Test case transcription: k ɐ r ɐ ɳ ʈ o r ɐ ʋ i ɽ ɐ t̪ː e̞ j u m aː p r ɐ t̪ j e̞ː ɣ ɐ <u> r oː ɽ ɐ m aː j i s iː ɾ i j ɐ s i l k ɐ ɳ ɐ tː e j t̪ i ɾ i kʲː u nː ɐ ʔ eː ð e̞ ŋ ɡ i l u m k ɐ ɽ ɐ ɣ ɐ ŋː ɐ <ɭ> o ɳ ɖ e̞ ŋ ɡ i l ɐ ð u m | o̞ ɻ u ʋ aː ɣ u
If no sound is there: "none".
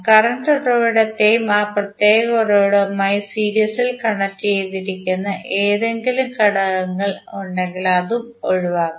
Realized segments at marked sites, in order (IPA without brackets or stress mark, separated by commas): o, ɭ